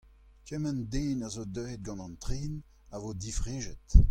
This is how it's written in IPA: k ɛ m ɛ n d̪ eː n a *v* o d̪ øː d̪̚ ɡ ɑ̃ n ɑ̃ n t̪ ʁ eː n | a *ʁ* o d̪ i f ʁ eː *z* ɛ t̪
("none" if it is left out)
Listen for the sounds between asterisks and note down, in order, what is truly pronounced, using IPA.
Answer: z, v, ʒ

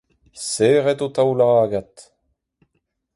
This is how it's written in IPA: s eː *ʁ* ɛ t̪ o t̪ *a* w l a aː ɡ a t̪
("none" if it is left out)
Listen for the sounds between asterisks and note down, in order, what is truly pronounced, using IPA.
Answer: ʁ, a

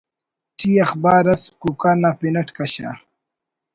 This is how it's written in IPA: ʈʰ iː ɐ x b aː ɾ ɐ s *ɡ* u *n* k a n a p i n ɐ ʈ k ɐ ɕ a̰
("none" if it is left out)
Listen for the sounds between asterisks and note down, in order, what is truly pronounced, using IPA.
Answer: k, none

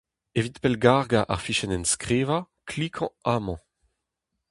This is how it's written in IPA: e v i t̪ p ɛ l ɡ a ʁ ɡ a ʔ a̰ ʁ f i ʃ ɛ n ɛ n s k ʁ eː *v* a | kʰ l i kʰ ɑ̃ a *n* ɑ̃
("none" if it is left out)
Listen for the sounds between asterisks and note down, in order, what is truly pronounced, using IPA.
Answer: v, m

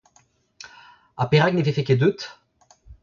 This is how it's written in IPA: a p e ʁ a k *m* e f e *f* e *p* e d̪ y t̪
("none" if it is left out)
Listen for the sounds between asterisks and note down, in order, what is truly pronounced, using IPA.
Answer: n, f, k

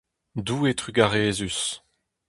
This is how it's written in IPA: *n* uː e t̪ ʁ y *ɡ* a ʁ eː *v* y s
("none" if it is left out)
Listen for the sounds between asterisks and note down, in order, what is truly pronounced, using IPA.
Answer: d, ɡ, z

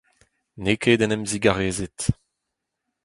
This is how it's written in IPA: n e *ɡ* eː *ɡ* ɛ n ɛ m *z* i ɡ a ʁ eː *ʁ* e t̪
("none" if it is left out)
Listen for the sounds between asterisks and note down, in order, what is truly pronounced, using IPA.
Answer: k, d, z, z

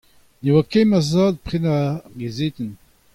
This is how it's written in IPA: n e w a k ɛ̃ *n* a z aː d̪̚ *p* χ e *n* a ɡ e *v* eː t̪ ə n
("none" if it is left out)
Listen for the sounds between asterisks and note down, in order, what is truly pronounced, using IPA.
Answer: m, p, n, z

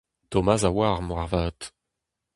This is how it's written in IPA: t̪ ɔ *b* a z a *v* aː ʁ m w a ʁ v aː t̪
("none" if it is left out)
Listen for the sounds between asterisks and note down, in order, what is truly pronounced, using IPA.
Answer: m, w

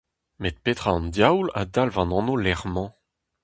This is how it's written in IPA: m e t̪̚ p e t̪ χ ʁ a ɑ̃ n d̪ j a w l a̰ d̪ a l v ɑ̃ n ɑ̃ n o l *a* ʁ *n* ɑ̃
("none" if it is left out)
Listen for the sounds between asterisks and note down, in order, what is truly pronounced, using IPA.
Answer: ɛ, m

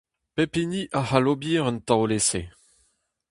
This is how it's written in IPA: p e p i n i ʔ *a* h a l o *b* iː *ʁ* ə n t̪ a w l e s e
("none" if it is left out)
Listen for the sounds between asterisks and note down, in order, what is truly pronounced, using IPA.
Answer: a, b, ʁ

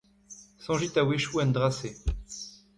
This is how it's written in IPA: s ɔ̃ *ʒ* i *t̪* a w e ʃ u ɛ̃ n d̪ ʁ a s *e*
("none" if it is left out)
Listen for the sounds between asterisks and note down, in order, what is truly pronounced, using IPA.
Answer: ʒ, t̪, e

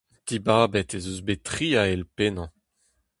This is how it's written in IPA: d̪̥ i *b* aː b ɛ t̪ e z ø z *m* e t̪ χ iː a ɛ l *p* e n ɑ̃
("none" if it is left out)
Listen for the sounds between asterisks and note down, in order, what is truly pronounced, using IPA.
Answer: b, b, p

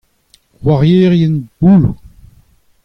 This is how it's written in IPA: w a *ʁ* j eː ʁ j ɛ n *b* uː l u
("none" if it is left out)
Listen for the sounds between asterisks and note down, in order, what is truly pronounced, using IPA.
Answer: ʁ, b

